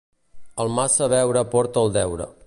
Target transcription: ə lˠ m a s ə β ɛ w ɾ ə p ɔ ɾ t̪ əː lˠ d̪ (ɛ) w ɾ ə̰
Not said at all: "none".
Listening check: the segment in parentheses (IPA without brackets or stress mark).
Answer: ɛ